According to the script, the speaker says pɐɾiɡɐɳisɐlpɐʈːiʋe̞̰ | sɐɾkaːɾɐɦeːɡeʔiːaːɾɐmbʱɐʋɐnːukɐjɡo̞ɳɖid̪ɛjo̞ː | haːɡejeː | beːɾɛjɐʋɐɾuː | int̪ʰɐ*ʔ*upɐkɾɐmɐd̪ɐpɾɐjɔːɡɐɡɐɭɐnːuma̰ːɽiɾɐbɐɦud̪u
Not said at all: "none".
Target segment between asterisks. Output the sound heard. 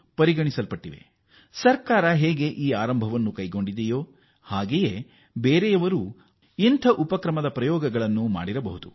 ʔ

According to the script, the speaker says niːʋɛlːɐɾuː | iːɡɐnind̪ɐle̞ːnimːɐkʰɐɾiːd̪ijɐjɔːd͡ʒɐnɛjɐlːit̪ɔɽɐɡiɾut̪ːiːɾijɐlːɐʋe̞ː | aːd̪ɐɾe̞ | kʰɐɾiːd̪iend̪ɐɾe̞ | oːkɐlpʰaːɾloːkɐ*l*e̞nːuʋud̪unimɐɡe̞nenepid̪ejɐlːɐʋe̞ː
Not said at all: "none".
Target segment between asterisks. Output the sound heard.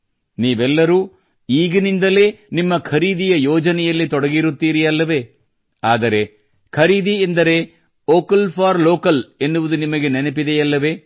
l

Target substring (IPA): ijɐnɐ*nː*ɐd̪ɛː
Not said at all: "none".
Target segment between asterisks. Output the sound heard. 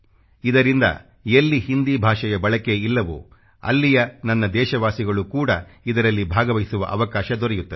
nː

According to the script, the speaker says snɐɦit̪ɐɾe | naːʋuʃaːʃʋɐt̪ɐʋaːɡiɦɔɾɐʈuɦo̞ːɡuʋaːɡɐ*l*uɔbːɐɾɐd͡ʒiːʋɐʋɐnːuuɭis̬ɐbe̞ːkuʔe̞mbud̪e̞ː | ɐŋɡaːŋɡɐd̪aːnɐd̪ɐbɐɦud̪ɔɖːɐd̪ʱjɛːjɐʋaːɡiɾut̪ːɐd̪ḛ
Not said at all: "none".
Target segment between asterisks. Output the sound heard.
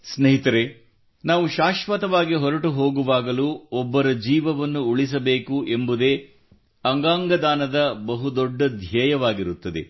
l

